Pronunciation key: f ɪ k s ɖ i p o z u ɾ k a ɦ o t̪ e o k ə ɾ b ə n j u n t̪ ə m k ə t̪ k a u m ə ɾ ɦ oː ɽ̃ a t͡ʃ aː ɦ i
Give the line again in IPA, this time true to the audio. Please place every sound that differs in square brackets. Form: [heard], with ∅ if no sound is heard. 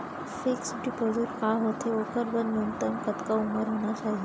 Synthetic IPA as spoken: f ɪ k s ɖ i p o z u ɾ k a ɦ o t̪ e o k ə ɾ b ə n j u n t̪ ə m k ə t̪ k a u m ə ɾ ɦ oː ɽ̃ a t͡ʃ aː ɦ i